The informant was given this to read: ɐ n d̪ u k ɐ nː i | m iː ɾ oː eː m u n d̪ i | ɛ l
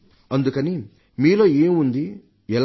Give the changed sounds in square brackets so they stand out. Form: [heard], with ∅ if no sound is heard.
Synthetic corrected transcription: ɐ n d̪ u k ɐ [n] i | m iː [l] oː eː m u n d̪ i | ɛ l